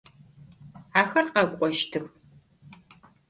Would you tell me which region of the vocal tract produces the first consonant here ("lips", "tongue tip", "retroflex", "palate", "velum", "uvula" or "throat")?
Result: velum